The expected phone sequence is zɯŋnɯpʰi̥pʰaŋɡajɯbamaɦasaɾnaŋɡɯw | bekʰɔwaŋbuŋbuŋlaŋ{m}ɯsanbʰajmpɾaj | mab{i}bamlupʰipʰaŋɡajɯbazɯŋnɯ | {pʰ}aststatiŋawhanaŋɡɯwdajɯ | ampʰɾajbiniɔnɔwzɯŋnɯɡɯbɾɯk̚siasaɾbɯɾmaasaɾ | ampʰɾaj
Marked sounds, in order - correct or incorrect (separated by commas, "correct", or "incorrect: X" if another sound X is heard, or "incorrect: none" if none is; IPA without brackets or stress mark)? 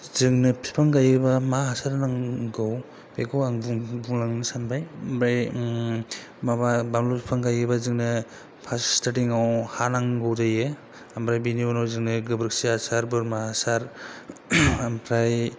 incorrect: n, incorrect: a, correct